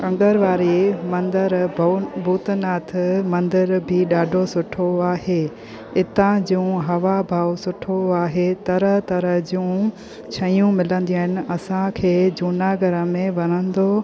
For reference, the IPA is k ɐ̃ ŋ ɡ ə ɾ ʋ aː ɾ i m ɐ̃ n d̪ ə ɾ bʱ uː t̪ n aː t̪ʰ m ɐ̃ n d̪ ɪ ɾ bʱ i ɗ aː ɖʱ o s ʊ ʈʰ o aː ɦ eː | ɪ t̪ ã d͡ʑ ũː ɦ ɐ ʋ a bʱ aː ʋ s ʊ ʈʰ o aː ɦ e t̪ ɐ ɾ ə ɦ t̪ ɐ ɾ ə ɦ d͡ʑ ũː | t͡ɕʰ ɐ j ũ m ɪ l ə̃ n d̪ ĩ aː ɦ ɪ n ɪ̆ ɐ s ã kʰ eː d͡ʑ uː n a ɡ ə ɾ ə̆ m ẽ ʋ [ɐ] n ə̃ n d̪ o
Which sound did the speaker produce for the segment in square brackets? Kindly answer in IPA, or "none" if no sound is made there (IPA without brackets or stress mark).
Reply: ɐ